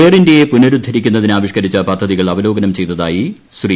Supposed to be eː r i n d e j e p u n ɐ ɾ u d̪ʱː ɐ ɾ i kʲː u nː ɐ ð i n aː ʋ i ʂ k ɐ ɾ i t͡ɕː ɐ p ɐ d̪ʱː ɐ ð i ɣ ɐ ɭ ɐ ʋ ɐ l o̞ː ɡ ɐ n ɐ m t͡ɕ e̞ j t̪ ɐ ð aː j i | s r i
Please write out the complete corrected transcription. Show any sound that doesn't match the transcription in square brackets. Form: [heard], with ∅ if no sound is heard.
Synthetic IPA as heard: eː r i n d e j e p u n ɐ ɾ u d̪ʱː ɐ ɾ i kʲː u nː ɐ ð i n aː ʋ i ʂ k ɐ ɾ i t͡ɕː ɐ p ɐ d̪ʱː ɐ ð i ɣ ɐ ɭ ɐ ʋ ɐ l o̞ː ɡ ɐ n ɐ m t͡ɕ e̞ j t̪ ɐ ð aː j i | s r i